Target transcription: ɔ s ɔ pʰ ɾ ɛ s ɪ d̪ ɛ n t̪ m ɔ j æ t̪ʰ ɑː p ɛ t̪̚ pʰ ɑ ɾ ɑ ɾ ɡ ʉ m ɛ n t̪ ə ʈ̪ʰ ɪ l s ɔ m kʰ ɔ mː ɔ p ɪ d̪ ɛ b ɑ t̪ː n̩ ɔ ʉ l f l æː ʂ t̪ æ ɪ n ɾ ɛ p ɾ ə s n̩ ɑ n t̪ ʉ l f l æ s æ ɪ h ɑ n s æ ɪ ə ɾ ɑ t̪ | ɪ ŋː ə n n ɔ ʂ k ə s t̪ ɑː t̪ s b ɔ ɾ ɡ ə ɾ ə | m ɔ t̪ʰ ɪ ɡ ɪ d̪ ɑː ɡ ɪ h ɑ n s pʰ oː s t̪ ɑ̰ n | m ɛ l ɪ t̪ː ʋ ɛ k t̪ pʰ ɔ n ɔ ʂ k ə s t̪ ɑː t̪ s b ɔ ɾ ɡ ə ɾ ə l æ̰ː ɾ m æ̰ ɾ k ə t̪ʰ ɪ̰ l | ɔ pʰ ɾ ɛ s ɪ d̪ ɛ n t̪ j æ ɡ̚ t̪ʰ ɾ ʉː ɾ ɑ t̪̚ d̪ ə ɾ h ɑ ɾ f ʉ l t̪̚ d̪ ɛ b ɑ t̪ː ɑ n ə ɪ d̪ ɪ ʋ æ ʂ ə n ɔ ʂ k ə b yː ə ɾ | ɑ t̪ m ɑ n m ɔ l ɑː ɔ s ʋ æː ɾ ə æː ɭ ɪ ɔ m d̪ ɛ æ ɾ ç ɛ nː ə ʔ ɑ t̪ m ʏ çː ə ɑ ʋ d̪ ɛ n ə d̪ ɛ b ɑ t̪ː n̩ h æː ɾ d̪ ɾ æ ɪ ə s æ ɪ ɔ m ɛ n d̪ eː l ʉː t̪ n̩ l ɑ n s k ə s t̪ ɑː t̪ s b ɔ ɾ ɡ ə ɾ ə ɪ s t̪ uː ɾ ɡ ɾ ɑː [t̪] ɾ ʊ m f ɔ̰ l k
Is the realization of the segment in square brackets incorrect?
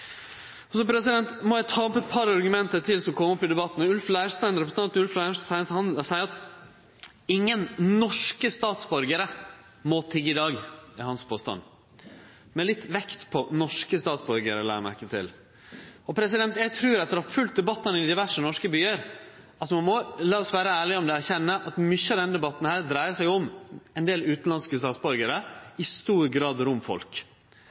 yes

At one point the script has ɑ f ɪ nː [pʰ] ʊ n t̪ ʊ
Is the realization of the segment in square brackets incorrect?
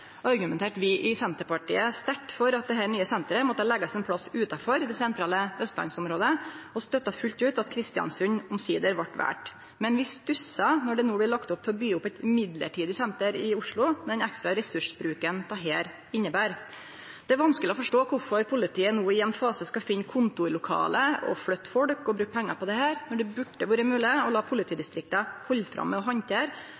yes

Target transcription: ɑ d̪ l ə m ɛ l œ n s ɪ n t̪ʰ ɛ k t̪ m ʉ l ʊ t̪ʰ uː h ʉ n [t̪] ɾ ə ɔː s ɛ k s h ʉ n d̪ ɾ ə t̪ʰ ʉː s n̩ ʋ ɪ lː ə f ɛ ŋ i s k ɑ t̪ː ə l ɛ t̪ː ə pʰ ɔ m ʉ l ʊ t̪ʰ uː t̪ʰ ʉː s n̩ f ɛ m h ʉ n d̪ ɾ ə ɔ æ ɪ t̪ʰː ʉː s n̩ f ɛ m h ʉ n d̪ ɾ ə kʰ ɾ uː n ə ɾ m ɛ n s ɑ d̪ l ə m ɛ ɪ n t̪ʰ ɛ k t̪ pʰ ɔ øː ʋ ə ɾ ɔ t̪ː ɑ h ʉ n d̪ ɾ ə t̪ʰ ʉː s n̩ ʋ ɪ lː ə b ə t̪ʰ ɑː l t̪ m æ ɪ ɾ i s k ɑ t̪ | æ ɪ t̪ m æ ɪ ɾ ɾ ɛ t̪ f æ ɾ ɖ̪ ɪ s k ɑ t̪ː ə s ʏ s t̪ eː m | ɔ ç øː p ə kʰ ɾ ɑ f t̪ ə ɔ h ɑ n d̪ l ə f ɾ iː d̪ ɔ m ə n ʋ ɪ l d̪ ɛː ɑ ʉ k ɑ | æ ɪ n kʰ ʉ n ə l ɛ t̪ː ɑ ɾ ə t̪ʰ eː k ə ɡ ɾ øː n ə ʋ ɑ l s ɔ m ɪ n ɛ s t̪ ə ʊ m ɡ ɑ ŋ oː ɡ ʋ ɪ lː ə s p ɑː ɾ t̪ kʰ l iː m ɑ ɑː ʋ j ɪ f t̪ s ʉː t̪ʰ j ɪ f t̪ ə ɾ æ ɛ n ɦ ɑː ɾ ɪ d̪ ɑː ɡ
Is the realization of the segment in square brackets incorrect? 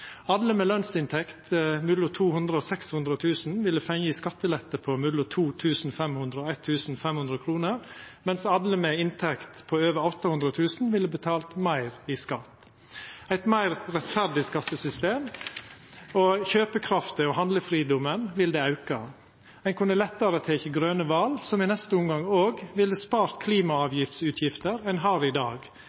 yes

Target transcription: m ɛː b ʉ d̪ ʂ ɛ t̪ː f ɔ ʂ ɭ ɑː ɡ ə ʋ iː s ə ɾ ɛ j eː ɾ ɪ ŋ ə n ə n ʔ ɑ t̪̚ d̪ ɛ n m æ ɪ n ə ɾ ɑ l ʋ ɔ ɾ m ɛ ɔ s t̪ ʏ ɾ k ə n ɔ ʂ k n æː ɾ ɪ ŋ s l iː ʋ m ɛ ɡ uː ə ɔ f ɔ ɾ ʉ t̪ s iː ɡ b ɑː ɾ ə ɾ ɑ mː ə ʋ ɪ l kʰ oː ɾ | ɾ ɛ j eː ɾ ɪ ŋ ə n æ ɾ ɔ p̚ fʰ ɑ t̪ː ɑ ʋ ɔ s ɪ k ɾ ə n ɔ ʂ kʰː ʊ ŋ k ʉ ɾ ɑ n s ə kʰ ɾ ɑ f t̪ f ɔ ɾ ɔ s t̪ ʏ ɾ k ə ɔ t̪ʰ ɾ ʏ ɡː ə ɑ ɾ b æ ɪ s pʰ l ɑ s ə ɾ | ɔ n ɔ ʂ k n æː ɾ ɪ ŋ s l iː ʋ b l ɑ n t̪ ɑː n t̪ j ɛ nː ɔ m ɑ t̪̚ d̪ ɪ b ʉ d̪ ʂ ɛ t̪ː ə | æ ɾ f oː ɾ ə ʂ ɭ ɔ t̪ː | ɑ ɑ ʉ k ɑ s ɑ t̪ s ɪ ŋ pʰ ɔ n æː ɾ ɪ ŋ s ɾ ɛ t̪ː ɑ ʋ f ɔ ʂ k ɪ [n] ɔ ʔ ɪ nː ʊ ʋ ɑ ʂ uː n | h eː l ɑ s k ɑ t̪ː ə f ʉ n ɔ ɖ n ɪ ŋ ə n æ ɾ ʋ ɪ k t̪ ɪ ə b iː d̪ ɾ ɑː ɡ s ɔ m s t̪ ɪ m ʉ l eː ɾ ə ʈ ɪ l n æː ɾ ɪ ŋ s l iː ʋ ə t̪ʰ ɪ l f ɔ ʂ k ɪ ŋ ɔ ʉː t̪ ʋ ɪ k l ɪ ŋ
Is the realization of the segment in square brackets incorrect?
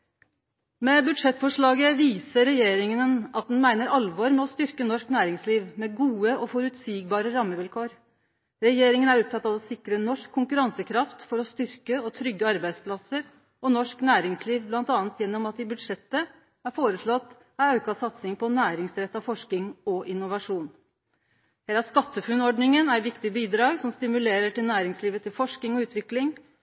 yes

